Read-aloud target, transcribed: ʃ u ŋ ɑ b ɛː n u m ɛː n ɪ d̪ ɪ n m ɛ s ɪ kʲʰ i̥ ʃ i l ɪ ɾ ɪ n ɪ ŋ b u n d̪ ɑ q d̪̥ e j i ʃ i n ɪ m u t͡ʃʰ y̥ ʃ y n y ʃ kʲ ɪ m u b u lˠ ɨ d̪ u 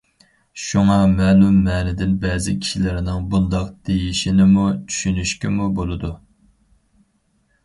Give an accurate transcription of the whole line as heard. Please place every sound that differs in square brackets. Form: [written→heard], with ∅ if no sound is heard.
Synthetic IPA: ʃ u ŋ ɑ [b→m] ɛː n u m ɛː n ɪ d̪ ɪ n [m→b] ɛ [s→z] ɪ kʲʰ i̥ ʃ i l ɪ ɾ ɪ n ɪ ŋ b u n d̪ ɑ q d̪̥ e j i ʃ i n ɪ m u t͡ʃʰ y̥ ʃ y n y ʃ kʲ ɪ m u b [u→o] lˠ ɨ d̪ u